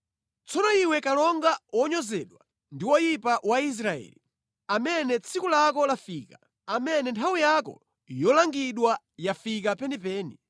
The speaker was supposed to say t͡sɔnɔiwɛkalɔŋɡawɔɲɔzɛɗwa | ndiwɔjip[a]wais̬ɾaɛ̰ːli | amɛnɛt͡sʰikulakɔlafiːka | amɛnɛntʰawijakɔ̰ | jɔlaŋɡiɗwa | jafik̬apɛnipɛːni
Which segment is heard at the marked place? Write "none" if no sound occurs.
a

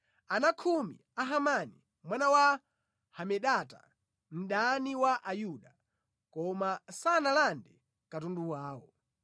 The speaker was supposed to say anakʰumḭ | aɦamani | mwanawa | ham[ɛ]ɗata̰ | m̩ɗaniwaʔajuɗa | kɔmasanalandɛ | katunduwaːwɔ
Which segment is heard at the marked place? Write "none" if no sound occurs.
ɛ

